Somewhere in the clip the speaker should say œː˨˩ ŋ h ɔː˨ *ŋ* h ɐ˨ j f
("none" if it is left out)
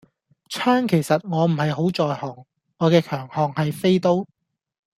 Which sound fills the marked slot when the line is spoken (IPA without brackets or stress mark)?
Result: ŋ